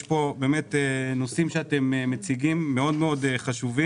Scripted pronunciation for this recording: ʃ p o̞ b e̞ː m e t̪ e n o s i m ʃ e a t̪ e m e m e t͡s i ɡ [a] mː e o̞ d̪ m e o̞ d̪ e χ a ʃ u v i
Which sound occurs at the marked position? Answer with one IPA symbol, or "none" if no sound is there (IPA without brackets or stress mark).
i